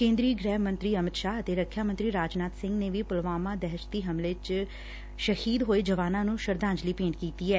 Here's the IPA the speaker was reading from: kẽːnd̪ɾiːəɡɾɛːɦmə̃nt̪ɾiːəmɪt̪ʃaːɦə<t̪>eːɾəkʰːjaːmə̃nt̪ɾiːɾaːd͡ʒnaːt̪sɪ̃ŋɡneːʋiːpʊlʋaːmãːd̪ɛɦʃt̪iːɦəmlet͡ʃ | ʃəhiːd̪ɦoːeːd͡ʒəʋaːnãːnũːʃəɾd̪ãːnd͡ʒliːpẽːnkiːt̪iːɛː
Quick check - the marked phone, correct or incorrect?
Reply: correct